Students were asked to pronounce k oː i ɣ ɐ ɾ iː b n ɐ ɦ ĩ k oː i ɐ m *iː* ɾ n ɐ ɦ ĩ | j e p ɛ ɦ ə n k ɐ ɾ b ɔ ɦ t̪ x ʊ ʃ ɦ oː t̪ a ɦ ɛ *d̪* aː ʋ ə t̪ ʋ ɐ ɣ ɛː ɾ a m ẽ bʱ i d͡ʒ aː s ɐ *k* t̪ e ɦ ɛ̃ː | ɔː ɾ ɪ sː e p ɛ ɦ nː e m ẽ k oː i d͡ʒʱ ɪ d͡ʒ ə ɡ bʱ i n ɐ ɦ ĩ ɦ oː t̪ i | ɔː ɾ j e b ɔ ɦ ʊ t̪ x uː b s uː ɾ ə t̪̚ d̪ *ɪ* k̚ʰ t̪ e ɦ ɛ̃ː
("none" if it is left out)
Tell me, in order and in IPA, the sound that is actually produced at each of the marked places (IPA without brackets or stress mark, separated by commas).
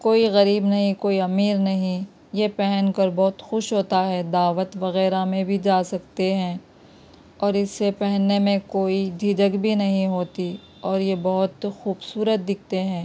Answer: iː, d̪, k, ɪ